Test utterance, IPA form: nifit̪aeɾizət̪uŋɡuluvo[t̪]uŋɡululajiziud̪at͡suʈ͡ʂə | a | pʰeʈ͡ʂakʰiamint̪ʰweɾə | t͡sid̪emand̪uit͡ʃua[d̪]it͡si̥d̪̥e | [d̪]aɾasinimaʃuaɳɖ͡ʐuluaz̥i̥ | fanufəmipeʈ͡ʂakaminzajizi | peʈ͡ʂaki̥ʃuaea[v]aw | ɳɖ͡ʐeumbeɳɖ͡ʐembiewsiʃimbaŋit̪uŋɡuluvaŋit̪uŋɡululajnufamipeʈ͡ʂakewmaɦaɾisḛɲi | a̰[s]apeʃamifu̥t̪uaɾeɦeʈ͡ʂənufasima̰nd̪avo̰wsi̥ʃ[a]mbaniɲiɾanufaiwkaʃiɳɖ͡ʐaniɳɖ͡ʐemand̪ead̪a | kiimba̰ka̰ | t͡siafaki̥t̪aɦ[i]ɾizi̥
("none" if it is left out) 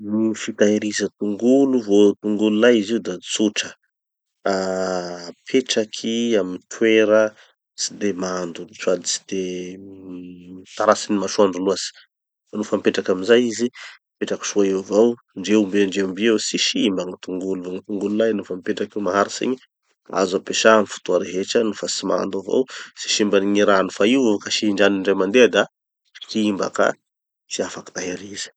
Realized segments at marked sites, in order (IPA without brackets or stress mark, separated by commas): t̪, d̪, t̪, v, z, i, e